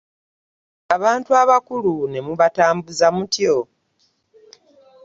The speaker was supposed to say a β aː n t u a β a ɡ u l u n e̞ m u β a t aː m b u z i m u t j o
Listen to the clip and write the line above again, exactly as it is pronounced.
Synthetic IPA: a β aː n t u a β a k u l u n e̞ m u β a t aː m b u z a m u t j o

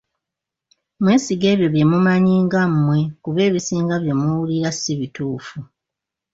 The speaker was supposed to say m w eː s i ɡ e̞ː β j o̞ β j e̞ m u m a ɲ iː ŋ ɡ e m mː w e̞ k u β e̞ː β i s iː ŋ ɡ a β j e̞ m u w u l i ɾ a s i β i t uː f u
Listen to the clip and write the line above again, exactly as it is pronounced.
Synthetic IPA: m w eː s i ɡ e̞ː β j o̞ β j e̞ m u m a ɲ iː ŋ ɡ a m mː w e̞ k u β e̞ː β i s iː ŋ ɡ a β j e̞ m u w u l i ɾ a s i β i t uː f u

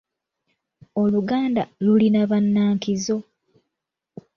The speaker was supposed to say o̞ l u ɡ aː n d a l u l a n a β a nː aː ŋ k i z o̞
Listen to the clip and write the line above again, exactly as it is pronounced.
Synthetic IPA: o̞ l u ɡ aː n d a l u l i n a β a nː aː ŋ k i z o̞

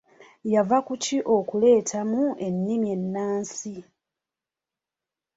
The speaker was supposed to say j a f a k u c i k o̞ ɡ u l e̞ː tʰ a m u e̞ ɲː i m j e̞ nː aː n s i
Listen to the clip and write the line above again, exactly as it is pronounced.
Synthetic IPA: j a v a k u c i ʔ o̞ k u l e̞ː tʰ a m u e̞ nː i m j e̞ nː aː n s i

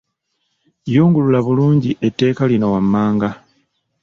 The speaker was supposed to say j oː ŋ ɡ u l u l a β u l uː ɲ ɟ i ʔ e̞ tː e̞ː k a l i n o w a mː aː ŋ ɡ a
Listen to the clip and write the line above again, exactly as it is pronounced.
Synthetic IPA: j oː ŋ ɡ u l u l a β u l uː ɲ ɟ i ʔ e̞ tː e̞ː k a l i n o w a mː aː ŋ ɡ a

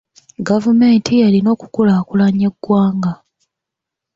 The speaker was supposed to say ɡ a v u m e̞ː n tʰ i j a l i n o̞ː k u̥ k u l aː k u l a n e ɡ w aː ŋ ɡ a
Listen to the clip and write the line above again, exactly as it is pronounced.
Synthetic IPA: ɡ a v u m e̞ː n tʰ i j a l i n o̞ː k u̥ k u l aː k u l a ɲ e ɡ w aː ŋ ɡ a

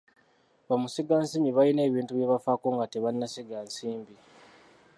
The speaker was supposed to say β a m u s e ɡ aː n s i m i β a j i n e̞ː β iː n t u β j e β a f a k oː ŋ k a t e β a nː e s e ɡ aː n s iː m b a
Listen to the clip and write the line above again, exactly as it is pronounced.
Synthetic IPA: β a m u s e ɡ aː n s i m i β a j i n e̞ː β iː n t u β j e β a f a k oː ŋ ɡ a t e β a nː a s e ɡ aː n s iː m b i

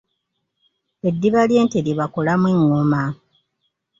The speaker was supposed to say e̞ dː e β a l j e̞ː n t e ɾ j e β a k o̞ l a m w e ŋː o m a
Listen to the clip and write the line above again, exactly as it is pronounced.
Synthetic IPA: e̞ dː i β a l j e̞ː n t e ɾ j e β a k o̞ l a m w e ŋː o m a

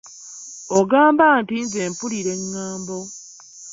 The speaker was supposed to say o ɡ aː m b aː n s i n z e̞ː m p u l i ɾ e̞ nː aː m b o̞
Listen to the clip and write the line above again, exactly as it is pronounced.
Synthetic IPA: o ɡ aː m b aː n t i n z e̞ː m p u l i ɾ e̞ ŋː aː m b o̞

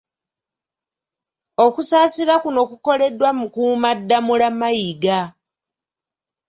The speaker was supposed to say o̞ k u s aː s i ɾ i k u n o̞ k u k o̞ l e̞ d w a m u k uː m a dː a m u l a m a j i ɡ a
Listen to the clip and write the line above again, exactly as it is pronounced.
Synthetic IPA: o̞ k u s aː s i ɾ a k u n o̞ k u k o̞ l e̞ d w a m u k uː m a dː a m u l a m a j i ɡ a

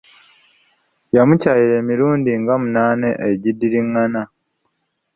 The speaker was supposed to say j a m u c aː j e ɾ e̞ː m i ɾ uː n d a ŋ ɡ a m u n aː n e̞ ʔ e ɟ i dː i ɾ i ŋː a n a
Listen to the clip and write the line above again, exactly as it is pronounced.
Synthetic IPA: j a m u c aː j i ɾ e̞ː m i ɾ uː n d i ŋ ɡ a m u n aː n e̞ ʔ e ɟ i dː i ɾ i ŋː a n a

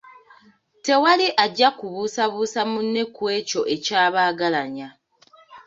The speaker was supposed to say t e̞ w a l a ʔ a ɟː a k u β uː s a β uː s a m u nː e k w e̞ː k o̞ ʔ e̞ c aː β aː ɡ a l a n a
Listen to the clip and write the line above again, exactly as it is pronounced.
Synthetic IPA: t e̞ w a l i ʔ a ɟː a k u β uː s a β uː s a m u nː e k w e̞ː c o̞ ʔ e̞ c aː β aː ɡ a l a ɲ a

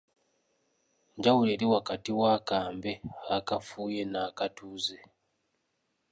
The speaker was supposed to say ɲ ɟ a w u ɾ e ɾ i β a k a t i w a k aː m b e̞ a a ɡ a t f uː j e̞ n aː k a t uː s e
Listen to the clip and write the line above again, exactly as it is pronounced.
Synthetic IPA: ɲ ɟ a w u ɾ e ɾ i w a k a t i w a k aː m b e̞ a a k a f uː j e̞ n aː k a t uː z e

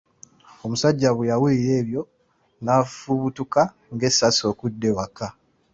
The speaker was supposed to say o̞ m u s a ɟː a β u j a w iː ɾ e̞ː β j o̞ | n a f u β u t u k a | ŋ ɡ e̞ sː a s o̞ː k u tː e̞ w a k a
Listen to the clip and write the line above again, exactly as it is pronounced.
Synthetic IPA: o̞ m u s a ɟː a β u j a w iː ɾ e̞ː β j o̞ | n a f u β u t u k a | ŋ ɡ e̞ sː a s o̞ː k u dː e̞ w a k a

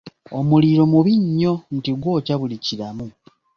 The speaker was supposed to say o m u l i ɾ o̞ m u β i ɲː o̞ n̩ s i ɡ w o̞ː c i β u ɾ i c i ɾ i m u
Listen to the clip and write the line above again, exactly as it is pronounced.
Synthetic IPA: o m u l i ɾ o̞ m u β i ɲː o̞ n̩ t i ɡ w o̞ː c a β u l i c i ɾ a m u

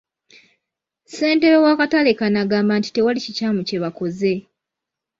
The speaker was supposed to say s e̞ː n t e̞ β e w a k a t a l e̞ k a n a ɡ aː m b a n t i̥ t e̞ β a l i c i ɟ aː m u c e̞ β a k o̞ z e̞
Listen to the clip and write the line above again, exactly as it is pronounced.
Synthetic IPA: s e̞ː n t e̞ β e w a k a t a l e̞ k a n a ɡ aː m b a n t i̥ t e̞ w a l i c i c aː m u c e̞ β a k o̞ z e̞

